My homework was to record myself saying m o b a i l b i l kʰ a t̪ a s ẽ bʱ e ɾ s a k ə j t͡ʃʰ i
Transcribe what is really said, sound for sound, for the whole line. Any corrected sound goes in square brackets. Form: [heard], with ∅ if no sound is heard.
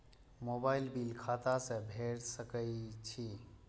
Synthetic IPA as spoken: m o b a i l b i l kʰ a t̪ a s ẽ bʱ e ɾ s [ə] k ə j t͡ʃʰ i